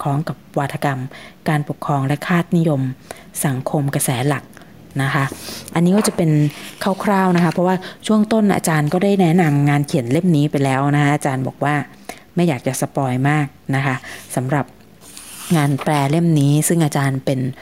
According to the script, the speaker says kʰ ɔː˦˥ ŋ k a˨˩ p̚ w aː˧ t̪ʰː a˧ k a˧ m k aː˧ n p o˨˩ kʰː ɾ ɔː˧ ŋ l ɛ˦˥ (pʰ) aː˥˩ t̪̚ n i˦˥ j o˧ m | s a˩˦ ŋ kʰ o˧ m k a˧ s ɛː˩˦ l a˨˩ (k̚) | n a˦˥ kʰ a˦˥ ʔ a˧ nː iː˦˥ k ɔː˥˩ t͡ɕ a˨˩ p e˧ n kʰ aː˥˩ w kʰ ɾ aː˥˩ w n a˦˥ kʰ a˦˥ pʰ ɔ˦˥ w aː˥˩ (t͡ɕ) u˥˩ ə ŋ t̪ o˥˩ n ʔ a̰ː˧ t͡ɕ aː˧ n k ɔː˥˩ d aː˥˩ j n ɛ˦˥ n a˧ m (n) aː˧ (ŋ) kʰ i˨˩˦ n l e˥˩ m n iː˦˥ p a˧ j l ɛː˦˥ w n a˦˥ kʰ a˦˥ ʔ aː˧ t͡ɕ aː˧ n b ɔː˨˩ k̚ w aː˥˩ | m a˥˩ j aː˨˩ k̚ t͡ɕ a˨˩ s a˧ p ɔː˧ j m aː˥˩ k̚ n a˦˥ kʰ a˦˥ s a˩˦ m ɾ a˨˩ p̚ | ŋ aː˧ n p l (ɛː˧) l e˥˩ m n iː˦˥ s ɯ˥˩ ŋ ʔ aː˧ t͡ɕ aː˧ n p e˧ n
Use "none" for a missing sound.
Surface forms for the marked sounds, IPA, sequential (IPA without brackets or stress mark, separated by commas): kʰ, k̚, t͡ɕʰ, ŋ, n, ɛː˧